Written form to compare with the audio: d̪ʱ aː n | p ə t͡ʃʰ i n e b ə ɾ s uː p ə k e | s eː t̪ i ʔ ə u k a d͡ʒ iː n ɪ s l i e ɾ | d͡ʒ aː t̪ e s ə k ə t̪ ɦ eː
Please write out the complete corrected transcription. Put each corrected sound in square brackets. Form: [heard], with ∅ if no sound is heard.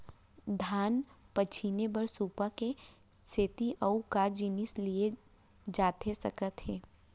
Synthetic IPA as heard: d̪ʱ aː n | p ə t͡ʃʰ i n e b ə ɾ s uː p [a] k e | s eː t̪ i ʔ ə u k a d͡ʒ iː n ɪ s l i e [∅] | d͡ʒ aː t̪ e s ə k ə t̪ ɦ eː